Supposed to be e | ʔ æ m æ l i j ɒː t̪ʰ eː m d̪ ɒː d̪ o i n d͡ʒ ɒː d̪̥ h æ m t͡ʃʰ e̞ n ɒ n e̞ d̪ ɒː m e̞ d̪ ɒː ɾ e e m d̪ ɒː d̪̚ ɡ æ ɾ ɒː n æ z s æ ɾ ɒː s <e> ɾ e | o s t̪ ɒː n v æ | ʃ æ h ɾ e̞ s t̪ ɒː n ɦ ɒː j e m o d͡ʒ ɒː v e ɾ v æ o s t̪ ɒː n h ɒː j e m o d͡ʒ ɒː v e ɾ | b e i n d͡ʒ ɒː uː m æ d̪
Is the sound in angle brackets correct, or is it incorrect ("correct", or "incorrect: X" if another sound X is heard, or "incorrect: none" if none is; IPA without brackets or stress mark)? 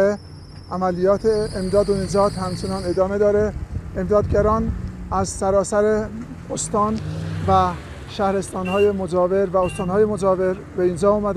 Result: incorrect: æ